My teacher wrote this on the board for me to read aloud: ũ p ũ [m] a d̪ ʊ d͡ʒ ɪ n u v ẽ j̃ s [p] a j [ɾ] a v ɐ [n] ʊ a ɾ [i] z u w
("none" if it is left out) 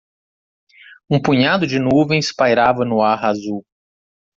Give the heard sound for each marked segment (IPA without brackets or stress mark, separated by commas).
ɲ, p, ɾ, n, a